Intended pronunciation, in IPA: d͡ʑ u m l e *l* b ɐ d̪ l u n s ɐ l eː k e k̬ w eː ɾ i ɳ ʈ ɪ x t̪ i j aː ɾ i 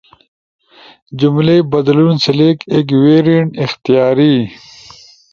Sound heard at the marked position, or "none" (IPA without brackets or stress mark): none